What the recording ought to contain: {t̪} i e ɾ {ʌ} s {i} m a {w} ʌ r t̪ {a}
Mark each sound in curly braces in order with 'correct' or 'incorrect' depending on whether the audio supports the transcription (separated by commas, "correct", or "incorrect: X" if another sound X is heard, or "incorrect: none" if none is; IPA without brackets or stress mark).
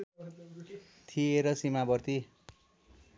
incorrect: t̪ʰ, correct, correct, incorrect: b, incorrect: i